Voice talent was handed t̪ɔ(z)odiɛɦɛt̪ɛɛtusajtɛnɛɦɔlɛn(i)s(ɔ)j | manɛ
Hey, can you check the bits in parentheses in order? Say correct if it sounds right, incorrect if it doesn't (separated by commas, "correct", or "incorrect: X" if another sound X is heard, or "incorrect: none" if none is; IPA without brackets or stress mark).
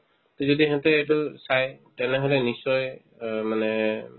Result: correct, correct, correct